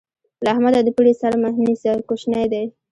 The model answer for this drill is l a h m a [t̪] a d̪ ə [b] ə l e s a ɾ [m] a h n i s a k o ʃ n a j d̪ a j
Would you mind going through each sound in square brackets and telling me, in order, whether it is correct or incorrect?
incorrect, incorrect, correct

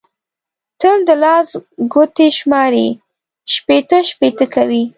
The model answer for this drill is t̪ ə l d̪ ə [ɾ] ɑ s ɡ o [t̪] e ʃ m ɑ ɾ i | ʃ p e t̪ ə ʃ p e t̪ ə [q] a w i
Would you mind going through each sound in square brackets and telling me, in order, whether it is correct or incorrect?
incorrect, correct, incorrect

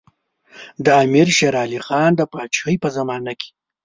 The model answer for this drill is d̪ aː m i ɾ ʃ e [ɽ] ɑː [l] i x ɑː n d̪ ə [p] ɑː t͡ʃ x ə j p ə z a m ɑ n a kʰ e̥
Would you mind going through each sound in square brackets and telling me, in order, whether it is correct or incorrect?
incorrect, correct, correct

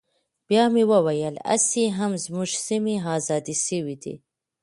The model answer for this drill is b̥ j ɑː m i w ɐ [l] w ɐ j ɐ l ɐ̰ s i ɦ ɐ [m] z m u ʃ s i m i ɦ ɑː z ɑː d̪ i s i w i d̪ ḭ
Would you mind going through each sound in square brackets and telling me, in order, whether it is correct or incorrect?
incorrect, correct

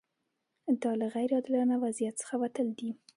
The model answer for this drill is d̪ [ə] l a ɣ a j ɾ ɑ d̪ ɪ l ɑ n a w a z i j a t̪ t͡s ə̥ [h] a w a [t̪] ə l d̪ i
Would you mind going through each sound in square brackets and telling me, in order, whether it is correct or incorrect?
incorrect, incorrect, correct

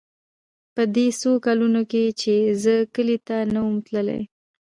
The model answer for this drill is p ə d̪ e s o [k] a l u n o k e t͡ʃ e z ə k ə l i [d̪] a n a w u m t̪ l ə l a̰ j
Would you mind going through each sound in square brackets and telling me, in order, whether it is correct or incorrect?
correct, incorrect

